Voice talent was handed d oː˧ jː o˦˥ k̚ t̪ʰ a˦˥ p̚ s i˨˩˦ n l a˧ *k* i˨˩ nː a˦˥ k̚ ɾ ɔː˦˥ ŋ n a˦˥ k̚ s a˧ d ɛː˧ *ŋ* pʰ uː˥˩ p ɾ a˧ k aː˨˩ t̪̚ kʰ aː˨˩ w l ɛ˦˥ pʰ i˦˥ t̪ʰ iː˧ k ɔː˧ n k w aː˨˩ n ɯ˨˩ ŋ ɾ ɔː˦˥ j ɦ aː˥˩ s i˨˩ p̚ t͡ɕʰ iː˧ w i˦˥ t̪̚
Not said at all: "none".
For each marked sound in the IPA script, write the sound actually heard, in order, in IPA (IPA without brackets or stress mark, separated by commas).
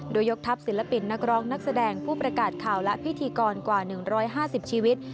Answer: p, ŋ